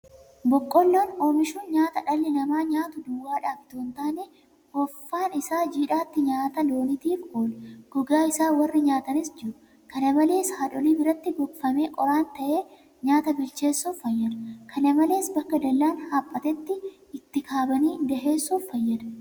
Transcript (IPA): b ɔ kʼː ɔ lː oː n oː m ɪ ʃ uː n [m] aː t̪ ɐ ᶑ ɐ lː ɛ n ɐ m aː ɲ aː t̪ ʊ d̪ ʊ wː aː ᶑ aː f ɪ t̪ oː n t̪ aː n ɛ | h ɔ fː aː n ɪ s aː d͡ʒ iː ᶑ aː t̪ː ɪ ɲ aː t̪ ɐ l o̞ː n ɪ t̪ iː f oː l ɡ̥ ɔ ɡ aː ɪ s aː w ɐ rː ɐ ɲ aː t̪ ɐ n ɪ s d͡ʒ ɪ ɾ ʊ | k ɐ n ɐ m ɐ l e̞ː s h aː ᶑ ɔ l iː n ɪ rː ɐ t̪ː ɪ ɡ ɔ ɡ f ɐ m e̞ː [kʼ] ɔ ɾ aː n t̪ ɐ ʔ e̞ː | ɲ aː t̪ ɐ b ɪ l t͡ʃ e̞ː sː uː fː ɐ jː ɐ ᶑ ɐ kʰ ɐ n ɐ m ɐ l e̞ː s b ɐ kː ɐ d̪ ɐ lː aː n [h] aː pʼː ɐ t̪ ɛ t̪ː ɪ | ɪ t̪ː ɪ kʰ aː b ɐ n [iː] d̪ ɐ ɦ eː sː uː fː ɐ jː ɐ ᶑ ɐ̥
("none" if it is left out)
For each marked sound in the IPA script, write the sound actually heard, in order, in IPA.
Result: ɲ, kʼ, h, iː

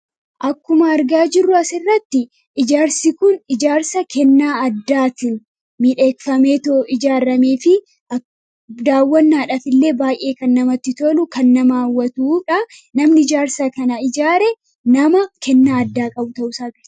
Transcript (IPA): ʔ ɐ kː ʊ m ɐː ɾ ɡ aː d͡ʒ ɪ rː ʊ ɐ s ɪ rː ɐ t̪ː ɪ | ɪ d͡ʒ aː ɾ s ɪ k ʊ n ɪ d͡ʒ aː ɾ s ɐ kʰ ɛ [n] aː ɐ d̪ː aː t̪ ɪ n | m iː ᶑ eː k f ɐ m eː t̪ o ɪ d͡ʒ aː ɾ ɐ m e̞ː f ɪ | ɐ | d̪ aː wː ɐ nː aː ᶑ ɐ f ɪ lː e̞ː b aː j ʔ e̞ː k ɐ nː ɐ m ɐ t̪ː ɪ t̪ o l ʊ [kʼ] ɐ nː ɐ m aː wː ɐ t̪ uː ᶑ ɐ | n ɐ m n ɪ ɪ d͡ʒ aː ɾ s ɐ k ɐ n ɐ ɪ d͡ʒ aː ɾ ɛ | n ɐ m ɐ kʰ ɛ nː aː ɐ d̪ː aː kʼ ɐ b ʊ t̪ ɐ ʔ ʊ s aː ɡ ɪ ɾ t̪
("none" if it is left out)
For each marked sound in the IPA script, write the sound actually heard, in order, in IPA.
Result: nː, k

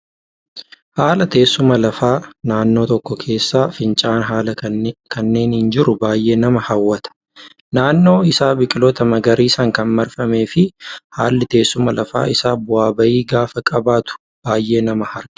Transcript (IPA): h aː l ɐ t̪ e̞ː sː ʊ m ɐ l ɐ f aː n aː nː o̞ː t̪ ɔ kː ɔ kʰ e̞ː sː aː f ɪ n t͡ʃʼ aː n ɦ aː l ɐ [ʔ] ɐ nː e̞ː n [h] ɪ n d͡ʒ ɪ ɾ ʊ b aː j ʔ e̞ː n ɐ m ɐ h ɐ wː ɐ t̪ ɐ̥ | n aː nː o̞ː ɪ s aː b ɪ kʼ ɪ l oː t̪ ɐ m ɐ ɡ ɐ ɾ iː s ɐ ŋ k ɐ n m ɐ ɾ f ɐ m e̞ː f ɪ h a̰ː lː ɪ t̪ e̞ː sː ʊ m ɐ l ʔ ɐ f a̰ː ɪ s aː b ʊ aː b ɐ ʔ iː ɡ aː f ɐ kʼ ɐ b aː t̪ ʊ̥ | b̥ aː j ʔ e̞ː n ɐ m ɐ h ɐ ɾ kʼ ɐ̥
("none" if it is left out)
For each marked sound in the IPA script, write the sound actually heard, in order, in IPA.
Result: k, h

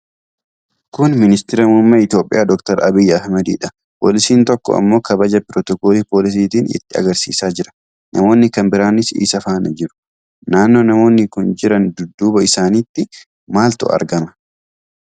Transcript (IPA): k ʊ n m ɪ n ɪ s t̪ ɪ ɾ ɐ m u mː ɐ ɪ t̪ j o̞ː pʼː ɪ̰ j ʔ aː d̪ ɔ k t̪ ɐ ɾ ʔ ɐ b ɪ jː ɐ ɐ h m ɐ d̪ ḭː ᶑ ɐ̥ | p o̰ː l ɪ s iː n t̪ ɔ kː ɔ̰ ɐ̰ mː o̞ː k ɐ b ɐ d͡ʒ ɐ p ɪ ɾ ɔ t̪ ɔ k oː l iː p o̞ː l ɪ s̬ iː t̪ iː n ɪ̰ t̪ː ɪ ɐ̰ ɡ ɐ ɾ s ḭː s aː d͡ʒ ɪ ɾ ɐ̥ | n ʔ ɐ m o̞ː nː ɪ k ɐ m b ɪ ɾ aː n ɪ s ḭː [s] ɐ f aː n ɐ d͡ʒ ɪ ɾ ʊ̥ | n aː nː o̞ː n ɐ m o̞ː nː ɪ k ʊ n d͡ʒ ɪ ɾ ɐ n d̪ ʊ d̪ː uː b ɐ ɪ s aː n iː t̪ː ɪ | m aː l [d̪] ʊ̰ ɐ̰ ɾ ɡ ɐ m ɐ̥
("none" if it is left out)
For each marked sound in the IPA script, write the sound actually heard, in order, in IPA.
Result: s, t̪

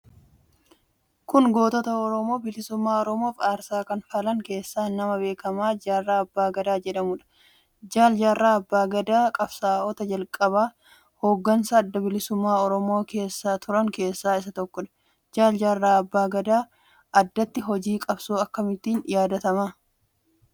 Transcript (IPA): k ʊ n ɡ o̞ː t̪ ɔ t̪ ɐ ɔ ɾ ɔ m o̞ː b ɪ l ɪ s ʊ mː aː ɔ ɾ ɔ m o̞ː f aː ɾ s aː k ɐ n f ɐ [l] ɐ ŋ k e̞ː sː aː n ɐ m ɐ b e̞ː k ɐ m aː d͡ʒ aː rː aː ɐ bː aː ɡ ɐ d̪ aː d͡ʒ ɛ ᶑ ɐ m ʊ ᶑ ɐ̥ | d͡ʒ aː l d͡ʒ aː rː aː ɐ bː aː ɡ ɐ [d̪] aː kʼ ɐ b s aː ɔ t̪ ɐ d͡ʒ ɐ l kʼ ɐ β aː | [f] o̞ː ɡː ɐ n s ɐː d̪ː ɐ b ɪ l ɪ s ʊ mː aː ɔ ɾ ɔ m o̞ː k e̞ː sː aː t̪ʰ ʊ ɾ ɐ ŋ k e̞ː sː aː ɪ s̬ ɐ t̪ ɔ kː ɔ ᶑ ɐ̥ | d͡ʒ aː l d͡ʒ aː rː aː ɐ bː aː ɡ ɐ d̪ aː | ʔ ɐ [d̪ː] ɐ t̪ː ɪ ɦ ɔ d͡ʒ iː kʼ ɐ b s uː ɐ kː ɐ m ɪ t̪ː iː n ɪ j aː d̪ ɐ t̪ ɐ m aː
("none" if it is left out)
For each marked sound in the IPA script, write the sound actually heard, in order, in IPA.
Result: l, d̪, h, d̪ː

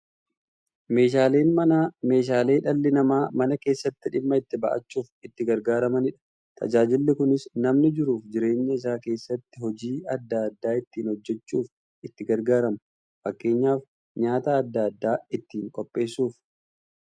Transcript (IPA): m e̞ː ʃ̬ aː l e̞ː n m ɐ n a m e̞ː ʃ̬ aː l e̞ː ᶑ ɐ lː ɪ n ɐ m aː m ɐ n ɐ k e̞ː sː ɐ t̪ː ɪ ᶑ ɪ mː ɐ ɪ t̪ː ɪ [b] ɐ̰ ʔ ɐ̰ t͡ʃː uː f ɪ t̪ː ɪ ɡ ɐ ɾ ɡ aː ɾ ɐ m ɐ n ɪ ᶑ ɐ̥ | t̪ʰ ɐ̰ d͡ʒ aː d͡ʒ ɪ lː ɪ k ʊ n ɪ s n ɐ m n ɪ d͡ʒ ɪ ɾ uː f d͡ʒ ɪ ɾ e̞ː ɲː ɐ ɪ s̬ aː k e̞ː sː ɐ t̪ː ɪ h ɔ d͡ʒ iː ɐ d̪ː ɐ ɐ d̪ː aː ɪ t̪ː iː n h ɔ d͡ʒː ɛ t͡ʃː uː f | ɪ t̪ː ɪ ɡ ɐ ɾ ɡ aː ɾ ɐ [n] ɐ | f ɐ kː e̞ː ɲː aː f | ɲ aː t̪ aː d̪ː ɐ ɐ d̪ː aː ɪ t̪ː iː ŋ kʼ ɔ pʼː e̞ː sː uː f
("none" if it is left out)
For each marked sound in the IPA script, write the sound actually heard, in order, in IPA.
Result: b, m

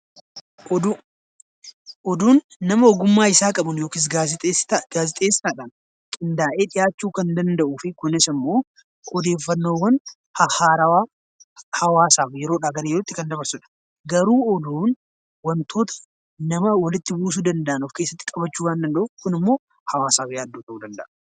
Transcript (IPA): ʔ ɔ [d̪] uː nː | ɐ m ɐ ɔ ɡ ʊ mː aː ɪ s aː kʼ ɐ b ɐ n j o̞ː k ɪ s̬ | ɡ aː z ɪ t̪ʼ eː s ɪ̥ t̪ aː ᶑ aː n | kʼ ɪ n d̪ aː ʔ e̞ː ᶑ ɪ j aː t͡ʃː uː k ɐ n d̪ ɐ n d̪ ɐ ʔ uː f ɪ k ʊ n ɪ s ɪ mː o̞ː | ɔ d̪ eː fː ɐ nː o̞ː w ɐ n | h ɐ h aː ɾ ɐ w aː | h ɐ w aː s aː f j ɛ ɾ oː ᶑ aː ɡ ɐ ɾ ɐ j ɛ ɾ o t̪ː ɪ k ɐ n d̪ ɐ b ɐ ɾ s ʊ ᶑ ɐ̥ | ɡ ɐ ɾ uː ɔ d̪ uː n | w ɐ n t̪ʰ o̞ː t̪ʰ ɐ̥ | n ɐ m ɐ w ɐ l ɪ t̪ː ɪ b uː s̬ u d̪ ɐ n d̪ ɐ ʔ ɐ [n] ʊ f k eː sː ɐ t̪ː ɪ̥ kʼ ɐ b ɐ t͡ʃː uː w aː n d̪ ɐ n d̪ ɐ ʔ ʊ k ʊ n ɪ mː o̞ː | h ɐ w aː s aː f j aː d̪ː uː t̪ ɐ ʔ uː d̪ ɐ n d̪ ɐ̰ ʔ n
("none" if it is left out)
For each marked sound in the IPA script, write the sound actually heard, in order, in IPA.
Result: d̪, n

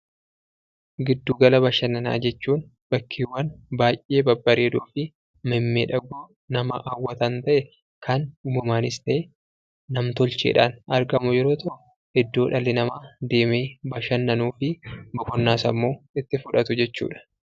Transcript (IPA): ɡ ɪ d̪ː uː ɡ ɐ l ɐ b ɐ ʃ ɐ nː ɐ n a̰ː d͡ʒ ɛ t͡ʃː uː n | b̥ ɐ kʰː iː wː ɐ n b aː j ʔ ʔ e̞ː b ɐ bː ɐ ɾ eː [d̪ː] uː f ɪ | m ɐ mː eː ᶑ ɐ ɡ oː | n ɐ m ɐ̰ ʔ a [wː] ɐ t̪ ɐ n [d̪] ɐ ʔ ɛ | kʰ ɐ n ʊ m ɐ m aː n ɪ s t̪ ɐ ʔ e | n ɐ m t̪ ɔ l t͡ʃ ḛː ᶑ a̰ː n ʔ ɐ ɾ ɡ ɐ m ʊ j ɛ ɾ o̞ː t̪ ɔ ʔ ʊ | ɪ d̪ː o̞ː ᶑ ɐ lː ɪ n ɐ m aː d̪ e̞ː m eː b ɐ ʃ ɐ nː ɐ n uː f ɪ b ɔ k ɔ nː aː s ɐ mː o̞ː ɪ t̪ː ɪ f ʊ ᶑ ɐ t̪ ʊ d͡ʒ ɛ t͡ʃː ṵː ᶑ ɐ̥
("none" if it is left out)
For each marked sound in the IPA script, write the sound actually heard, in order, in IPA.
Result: d̪, wː, t̪

